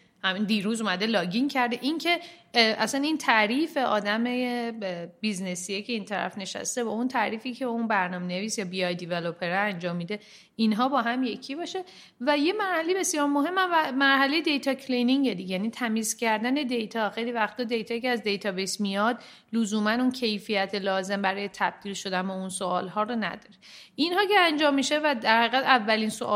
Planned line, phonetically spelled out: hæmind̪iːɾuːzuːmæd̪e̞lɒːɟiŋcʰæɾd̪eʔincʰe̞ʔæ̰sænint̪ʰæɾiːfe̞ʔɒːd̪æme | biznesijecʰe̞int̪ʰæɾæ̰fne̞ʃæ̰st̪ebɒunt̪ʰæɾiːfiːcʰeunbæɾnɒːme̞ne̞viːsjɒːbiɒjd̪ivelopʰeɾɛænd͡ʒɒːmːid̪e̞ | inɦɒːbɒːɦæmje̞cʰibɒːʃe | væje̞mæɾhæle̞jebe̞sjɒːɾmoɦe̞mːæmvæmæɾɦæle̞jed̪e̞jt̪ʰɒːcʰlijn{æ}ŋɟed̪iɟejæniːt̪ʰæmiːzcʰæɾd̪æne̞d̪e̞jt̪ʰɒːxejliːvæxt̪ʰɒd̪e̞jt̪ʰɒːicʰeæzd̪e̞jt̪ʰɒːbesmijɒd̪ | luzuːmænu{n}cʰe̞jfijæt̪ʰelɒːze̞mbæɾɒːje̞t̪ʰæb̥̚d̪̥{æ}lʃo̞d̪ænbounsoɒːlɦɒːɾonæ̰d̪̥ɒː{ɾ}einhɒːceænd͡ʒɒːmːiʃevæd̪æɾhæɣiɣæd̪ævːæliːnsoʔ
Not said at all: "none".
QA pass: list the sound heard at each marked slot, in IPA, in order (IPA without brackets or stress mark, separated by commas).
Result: i, n, i, ɾ